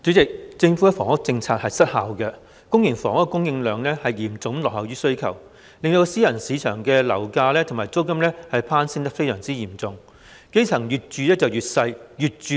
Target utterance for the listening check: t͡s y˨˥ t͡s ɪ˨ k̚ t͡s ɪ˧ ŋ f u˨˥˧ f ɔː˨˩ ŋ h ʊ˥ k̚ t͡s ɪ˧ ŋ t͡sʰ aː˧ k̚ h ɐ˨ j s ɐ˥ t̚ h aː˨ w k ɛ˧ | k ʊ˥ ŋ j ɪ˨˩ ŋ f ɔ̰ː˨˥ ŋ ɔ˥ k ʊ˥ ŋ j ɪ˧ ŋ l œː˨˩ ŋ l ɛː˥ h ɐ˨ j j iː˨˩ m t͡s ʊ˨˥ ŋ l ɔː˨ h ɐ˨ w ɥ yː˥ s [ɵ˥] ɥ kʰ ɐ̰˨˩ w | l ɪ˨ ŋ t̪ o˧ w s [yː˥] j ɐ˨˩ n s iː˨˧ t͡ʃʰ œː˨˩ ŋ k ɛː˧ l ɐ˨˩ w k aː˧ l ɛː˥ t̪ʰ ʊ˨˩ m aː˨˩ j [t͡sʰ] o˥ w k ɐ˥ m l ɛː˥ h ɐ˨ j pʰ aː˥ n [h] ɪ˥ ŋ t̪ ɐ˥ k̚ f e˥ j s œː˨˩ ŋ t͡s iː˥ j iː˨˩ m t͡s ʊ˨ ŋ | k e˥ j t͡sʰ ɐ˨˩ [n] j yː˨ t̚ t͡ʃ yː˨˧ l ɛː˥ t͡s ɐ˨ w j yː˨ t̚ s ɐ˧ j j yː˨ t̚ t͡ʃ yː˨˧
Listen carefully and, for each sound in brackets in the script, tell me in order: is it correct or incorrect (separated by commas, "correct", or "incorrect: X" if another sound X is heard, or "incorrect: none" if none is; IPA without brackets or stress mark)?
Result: correct, incorrect: iː˥, incorrect: t͡s, incorrect: s, incorrect: ŋ